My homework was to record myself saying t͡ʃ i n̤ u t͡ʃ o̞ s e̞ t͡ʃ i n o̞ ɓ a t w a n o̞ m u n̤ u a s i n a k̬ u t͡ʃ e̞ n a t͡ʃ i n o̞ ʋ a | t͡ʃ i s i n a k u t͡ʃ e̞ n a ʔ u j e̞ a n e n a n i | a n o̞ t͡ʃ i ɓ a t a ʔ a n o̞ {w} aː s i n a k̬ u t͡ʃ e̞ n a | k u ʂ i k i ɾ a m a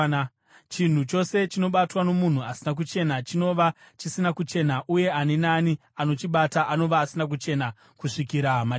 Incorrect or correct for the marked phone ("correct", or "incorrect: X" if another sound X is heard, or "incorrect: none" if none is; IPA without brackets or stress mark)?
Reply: incorrect: ʋ